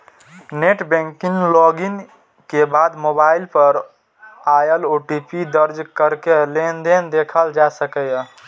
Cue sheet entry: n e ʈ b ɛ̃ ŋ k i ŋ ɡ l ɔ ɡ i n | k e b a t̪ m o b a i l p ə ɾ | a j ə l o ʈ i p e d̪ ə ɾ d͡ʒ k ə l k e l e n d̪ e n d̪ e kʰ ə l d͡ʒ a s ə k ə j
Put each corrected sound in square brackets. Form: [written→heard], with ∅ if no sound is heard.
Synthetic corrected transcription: n e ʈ b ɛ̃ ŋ k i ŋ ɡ l ɔ ɡ i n | k e b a [t̪→d̪] m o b a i l p ə ɾ | a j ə l o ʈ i p [e→i] d̪ ə ɾ d͡ʒ k ə [l→ɾ] k e l e n d̪ e n d̪ e kʰ ə l d͡ʒ a s ə k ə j